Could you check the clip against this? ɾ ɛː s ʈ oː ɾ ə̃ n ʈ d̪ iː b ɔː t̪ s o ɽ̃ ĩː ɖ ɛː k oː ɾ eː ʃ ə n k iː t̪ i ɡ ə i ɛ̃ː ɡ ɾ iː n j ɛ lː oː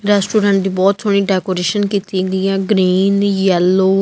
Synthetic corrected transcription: ɾ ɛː s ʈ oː ɾ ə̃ ɳ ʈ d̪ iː b ɔː t̪ s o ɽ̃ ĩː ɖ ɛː k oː ɾ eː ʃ ə n k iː t̪ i ɡ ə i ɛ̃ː ɡ ɾ iː n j ɛ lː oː

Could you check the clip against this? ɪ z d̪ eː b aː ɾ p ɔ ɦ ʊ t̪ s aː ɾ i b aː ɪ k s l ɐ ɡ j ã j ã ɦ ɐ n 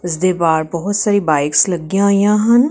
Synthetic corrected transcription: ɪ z d̪ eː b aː ɾ b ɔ ɦ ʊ t̪ s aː ɾ i b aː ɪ k s l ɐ ɡ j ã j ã ɦ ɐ n

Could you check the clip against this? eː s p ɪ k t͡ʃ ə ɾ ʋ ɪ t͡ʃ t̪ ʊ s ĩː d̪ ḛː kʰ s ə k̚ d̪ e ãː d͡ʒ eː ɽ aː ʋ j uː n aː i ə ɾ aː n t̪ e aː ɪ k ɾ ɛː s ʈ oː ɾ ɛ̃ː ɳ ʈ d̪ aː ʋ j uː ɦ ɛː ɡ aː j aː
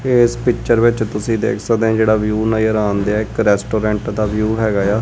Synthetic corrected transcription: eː s p ɪ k t͡ʃ ə ɾ ʋ ɪ t͡ʃ t̪ ʊ s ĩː d̪ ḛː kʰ s ə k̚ d̪ e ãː d͡ʒ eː ɽ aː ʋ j uː n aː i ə ɾ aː n d̪ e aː ɪ k ɾ ɛː s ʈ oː ɾ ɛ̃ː ɳ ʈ d̪ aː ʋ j uː ɦ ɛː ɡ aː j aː

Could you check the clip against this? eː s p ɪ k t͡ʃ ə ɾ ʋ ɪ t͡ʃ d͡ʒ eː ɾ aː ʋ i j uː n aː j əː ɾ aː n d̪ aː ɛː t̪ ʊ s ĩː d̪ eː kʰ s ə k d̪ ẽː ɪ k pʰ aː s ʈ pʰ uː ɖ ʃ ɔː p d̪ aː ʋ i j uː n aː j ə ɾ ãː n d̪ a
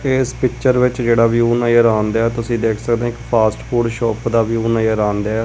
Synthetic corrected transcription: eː s p ɪ k t͡ʃ ə ɾ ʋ ɪ t͡ʃ d͡ʒ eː ɽ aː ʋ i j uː n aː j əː ɾ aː n d̪ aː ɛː t̪ ʊ s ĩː d̪ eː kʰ s ə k d̪ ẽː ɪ k pʰ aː s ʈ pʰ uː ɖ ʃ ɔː p d̪ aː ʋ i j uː n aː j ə ɾ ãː n d̪ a

